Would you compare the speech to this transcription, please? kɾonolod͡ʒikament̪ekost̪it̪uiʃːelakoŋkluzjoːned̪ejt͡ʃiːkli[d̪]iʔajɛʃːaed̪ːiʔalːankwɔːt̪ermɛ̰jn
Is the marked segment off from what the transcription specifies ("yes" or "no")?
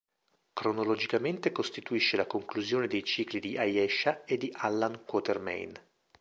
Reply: no